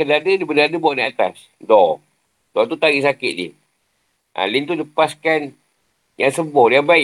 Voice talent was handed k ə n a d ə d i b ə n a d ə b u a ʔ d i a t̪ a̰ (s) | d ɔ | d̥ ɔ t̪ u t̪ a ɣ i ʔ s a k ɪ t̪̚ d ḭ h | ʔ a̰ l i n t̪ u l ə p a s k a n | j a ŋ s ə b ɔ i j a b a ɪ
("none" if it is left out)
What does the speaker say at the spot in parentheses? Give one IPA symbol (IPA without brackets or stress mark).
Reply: s